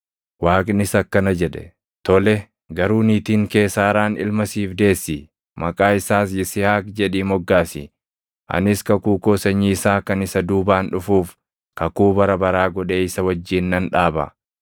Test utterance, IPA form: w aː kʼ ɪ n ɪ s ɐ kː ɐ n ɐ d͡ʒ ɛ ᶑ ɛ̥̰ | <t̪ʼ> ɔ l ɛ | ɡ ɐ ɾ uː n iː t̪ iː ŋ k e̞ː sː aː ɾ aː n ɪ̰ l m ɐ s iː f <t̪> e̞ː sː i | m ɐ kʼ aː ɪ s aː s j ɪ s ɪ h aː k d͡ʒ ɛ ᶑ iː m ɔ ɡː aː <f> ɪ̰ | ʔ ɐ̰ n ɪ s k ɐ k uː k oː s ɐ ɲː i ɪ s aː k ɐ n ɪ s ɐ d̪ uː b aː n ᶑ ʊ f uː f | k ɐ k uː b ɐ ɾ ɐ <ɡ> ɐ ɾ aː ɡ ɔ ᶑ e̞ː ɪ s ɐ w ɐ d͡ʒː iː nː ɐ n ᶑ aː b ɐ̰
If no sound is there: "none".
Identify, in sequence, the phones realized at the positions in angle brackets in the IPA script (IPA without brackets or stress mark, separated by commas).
t̪, d̪, s, b